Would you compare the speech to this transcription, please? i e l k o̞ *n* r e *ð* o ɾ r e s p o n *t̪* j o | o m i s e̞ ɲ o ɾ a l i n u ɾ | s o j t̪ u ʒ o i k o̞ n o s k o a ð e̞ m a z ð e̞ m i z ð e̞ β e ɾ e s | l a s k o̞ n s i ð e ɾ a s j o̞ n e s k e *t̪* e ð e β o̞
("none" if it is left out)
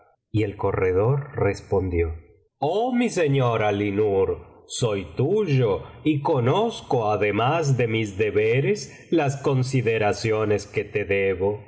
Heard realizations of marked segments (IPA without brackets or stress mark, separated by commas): none, ð, d̪, t̪